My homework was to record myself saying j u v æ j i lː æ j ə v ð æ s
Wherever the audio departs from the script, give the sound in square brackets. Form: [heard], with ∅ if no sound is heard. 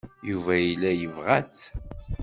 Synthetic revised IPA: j u v æ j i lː æ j ə v [ʁ] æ [t͡s]